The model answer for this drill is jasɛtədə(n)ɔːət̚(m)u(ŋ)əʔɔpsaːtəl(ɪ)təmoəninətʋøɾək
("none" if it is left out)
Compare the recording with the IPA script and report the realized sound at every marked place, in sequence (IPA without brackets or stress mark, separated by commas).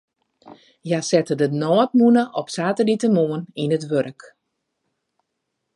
n, m, n, i